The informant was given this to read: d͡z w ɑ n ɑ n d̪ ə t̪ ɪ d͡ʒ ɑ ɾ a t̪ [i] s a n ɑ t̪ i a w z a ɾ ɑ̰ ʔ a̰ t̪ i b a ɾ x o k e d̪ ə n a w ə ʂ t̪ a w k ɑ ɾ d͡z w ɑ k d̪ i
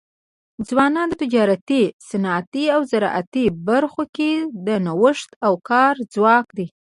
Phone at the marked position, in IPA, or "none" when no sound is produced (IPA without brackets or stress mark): i